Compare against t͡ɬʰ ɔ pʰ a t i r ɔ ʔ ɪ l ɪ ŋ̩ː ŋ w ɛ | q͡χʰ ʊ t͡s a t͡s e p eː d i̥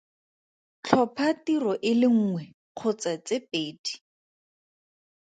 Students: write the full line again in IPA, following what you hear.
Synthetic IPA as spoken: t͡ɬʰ ɔ pʰ a t i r ɔ ʔ ɪ l ɪ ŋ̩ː ŋ w ɛ | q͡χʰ ʊ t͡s a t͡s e p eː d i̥